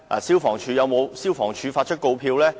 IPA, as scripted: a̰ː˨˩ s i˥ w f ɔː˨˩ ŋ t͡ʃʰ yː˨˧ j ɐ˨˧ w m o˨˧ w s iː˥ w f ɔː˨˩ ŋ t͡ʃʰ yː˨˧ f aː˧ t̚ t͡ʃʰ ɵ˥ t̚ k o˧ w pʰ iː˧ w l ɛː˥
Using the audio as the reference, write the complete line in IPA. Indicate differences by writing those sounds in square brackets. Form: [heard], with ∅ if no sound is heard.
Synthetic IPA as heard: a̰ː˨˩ s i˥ w f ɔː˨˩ ŋ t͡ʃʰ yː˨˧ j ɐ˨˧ w m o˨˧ w s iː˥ w f ɔː˨˩ ŋ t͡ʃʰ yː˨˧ f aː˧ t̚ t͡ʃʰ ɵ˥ t̚ k o˧ w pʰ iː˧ w l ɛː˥